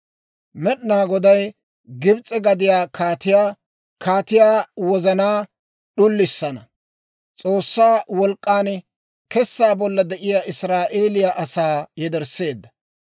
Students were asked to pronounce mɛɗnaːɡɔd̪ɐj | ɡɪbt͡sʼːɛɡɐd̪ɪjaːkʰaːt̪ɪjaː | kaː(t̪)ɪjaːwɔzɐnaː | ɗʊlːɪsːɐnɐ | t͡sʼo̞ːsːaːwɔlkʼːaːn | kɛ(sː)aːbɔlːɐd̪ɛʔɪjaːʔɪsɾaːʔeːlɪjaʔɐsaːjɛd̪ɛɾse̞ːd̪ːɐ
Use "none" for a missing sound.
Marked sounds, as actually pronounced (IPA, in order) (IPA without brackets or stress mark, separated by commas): t̪, sː